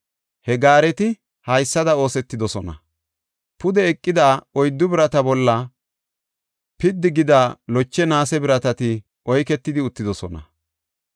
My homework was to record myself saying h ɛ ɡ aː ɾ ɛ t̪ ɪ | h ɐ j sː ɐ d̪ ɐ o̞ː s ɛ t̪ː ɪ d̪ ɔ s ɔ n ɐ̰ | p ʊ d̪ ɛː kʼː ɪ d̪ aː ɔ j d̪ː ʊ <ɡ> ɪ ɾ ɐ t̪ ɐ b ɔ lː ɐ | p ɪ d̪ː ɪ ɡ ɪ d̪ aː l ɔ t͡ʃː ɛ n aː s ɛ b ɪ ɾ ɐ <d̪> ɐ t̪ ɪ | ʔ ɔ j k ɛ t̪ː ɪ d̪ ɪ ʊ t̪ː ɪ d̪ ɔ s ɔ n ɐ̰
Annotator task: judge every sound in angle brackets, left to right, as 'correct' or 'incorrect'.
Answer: incorrect, incorrect

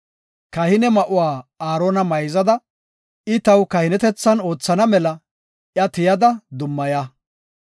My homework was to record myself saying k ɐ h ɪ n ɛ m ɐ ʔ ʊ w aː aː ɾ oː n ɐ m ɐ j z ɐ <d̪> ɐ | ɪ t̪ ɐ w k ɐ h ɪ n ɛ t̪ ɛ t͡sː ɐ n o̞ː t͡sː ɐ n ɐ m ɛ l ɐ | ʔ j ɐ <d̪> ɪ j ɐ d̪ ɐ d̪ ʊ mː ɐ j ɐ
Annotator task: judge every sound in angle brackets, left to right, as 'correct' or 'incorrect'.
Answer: correct, incorrect

